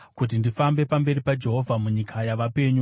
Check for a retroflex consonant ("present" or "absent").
absent